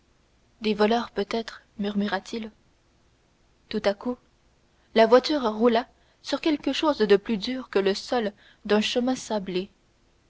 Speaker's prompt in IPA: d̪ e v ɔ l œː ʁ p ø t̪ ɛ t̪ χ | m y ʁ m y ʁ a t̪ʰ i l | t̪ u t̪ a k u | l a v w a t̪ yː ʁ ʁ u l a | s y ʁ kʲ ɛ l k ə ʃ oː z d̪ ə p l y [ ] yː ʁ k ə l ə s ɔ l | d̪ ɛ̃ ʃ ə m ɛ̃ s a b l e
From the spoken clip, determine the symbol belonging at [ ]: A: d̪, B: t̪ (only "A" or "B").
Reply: A